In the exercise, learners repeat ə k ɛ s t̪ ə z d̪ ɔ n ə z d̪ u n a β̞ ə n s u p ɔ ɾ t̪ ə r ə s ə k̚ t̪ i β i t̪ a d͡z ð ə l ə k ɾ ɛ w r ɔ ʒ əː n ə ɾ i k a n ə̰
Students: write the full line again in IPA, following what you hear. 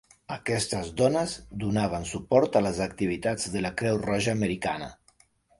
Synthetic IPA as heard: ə k ɛ s t̪ ə z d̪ ɔ n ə z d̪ u n a β̞ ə n s u p ɔ ɾ t̪ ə l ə z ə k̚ t̪ i β i t̪ a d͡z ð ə l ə k ɾ ɛ w r ɔ ʒ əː m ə ɾ i k a n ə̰